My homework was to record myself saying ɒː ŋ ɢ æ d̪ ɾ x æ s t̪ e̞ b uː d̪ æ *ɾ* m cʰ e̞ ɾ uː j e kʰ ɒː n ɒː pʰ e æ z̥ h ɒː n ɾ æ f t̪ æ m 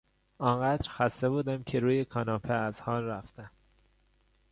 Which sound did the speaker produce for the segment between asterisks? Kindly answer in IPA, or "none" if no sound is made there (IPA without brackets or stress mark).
none